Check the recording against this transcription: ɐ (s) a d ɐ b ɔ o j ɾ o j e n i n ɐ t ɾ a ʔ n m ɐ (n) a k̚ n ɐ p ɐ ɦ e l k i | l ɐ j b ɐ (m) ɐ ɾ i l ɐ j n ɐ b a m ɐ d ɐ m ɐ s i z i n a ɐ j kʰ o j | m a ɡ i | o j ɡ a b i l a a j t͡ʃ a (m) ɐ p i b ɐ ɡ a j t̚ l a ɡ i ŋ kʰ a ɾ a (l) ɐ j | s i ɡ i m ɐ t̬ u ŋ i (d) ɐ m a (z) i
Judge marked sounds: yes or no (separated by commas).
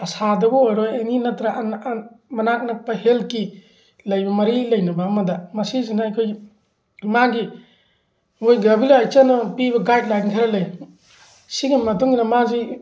yes, yes, yes, no, yes, no, yes